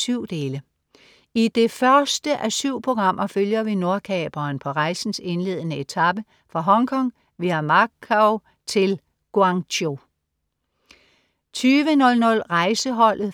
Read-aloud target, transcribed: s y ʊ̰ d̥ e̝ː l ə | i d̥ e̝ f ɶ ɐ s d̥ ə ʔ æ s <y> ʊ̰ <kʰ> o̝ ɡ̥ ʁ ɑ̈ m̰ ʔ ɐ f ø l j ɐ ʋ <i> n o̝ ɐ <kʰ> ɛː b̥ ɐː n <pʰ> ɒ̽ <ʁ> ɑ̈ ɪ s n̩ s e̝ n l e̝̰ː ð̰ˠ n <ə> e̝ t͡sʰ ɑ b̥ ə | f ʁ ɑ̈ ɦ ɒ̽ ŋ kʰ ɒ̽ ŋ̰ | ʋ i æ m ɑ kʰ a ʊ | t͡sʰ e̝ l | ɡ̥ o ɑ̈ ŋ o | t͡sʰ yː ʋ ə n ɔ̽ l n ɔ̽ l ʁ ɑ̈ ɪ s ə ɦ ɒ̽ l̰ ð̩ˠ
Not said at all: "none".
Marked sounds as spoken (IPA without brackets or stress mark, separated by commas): y, pʰ, i, kʰ, pʰ, ʁ, ə